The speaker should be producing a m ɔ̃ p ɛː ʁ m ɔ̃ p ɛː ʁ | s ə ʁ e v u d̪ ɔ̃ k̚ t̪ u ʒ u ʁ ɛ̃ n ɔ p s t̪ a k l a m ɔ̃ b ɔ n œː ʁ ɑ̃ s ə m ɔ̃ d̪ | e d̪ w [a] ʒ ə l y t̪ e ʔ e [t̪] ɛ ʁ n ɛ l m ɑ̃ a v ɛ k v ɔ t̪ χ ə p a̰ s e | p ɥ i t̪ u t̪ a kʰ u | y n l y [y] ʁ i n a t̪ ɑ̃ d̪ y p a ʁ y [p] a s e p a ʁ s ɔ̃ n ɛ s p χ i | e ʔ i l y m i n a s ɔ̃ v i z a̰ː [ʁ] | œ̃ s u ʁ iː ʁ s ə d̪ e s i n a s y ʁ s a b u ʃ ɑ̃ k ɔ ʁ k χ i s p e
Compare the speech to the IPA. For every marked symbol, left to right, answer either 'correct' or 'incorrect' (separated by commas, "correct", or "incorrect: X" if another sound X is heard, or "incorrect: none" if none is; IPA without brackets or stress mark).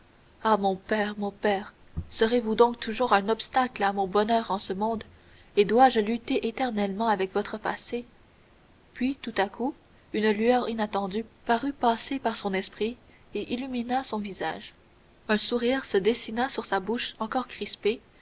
correct, correct, incorrect: œ, correct, incorrect: ʒ